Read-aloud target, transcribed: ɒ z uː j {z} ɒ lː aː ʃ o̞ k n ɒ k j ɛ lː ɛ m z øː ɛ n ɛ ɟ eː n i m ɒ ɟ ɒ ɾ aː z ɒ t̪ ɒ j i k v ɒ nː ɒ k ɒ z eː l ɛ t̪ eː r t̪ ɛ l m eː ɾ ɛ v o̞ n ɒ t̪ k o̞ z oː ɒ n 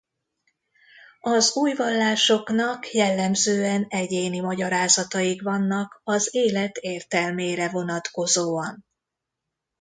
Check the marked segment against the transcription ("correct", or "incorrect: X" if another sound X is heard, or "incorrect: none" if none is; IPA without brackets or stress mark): incorrect: v